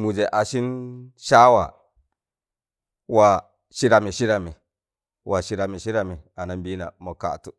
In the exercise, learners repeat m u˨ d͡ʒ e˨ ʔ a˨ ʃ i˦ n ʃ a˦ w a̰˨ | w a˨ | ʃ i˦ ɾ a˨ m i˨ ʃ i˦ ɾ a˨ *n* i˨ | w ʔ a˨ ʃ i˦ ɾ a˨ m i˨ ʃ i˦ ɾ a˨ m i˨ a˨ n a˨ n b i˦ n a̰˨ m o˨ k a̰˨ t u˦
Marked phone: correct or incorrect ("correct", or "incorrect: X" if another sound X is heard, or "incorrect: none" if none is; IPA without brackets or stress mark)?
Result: incorrect: m